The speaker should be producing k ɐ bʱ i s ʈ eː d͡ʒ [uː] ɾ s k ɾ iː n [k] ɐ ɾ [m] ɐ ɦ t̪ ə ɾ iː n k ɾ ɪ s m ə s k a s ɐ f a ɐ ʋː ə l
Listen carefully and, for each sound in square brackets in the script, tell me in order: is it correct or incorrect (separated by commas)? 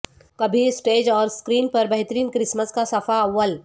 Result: incorrect, incorrect, incorrect